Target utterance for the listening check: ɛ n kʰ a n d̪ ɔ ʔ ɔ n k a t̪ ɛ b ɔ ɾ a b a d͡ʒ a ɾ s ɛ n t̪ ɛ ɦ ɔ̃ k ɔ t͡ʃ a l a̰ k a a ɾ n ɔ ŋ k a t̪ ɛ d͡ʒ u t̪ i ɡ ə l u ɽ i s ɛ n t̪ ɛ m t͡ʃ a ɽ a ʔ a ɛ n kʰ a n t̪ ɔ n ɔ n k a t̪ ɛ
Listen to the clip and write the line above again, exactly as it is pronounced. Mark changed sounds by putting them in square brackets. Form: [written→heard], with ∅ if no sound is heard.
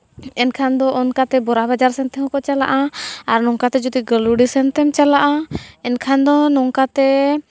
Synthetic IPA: ɛ n kʰ a n d̪ ɔ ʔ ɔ n k a t̪ ɛ b ɔ ɾ a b a d͡ʒ a ɾ s ɛ n t̪ ɛ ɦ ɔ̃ k ɔ t͡ʃ a l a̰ [k→ʔ] a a ɾ n ɔ ŋ k a t̪ ɛ d͡ʒ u t̪ i ɡ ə l u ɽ i s ɛ n t̪ ɛ m t͡ʃ a [ɽ→l] a ʔ a ɛ n kʰ a n [t̪→d̪] ɔ n ɔ [n→ŋ] k a t̪ ɛ